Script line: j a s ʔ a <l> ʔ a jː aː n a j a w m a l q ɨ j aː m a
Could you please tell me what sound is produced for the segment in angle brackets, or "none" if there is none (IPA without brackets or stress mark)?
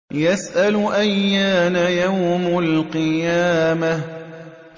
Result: l